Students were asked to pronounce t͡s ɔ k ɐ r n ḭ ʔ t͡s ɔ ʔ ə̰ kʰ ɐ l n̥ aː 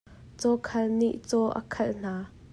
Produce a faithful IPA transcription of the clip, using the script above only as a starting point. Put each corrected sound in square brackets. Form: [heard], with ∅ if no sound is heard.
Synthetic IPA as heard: t͡s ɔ [kʰ] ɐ [l] n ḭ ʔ t͡s ɔ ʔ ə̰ kʰ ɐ l n̥ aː